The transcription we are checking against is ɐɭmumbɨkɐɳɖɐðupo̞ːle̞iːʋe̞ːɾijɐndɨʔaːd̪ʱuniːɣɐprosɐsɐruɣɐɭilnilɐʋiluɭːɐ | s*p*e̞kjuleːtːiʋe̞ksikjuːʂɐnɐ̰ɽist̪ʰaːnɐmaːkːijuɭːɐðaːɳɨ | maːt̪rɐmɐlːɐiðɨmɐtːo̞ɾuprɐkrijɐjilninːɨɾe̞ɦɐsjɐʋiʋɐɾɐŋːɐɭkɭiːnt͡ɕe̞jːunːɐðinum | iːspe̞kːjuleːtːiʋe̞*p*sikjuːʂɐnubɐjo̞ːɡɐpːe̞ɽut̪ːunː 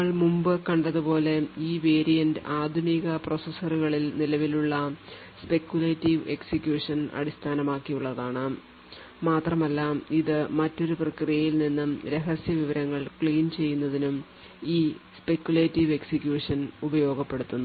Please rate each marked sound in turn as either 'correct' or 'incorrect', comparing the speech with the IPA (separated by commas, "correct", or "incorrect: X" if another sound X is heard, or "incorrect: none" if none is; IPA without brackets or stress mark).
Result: correct, incorrect: k